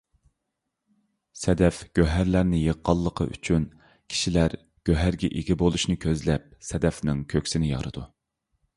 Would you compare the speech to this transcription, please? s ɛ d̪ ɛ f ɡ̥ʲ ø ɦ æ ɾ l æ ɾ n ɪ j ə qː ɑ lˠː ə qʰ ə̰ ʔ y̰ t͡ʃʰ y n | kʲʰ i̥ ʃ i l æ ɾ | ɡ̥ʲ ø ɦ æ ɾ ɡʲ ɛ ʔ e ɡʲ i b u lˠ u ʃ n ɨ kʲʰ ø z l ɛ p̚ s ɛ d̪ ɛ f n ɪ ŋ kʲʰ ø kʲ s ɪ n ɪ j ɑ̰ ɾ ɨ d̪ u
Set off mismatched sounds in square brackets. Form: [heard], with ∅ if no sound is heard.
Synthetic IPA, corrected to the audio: s ɛ d̪ ɛ f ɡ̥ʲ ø ɦ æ ɾ l æ ɾ n ɪ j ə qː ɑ lˠː ə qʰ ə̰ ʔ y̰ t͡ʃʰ y n | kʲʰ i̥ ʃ i l æ ɾ | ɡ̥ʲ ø ɦ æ ɾ ɡʲ ɛ ʔ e ɡʲ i b [o] lˠ u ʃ n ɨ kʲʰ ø z l ɛ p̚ s ɛ d̪ ɛ f n ɪ ŋ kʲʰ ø kʲ s ɪ n ɪ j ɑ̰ ɾ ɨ d̪ u